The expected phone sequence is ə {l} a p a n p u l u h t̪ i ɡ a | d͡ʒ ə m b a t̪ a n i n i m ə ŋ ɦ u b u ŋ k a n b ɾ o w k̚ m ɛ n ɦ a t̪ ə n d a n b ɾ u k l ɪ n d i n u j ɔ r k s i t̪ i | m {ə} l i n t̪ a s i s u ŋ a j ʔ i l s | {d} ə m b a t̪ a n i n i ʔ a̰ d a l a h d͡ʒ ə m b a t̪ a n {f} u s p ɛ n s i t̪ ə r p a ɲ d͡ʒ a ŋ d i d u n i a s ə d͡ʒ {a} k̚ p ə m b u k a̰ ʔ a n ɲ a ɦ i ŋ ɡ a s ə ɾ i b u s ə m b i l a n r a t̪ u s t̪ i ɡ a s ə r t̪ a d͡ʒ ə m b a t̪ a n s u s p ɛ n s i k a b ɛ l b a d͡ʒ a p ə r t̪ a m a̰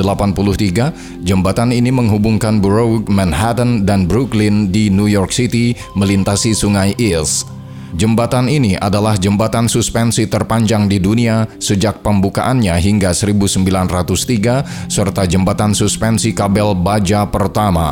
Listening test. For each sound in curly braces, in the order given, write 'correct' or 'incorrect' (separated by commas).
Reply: correct, correct, incorrect, incorrect, correct